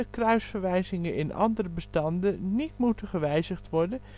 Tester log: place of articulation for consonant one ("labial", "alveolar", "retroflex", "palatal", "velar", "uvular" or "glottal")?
velar